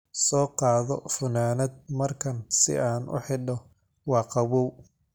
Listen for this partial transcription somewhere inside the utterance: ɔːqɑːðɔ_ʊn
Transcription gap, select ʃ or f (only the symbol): f